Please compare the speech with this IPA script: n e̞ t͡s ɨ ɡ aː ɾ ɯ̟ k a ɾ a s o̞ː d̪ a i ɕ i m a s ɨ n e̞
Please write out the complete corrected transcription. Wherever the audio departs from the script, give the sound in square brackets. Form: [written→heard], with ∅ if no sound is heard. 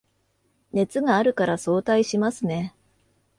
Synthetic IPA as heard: n e̞ t͡s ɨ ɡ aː ɾ ɯ̟ k a ɾ a s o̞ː [d̪→t̪] a i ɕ i m a s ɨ n e̞